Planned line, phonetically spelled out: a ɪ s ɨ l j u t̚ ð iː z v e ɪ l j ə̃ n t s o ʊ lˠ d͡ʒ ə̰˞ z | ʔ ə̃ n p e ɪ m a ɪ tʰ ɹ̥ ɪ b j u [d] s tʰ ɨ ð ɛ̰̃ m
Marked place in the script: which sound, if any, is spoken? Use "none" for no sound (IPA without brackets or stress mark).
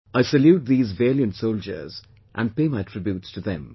t